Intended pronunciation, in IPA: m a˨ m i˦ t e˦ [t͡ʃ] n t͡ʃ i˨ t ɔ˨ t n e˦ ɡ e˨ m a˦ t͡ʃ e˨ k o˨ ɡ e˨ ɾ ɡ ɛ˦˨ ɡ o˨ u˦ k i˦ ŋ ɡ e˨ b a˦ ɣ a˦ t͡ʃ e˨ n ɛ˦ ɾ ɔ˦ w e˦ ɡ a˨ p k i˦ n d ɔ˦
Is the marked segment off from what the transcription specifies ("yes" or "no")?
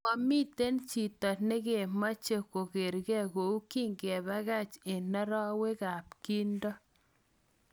yes